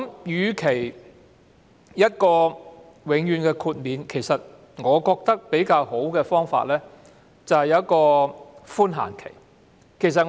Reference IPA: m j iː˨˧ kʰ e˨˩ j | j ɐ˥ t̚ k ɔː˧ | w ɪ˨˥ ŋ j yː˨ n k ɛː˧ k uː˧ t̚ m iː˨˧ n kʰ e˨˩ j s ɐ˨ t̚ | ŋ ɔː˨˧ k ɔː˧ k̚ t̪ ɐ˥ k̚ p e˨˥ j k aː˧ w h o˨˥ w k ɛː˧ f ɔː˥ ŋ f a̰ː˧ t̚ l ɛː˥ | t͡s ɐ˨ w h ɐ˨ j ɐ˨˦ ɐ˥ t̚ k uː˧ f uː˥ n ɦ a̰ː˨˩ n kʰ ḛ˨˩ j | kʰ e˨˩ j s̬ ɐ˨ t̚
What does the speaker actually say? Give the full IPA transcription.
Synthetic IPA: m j yː˨˧ kʰ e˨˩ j | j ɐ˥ t̚ k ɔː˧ | w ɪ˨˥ ŋ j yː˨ n k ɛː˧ kʰ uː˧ t̚ m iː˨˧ n kʰ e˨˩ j s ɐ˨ t̚ | ŋ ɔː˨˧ k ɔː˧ k̚ t̪ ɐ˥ k̚ p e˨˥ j k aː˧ w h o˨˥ w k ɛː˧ f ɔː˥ ŋ f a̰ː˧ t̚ l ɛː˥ | t͡s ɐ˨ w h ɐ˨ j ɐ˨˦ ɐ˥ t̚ k ɔː˧ f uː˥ n ɦ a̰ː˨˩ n kʰ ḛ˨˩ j | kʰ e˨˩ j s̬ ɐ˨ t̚